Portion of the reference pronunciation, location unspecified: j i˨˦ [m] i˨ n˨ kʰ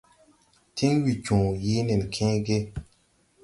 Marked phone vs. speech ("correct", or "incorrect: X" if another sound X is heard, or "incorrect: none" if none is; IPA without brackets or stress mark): incorrect: n